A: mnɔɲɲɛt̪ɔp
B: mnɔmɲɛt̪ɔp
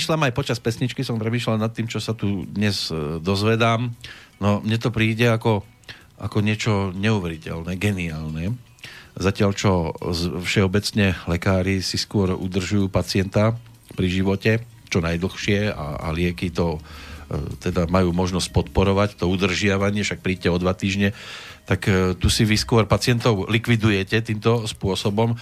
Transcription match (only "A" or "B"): B